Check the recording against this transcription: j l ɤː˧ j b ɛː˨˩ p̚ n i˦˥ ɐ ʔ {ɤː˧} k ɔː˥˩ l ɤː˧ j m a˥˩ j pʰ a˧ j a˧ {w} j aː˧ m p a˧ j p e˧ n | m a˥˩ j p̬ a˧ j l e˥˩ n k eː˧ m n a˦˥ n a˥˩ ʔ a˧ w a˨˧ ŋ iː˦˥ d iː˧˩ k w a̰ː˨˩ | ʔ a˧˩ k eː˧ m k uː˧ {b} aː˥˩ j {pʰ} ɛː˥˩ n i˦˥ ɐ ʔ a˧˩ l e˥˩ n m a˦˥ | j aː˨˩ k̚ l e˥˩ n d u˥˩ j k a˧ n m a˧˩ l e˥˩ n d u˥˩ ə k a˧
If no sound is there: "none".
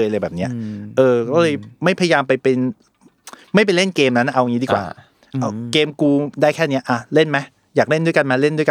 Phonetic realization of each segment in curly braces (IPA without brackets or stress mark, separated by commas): ɤː˧, none, d, kʰ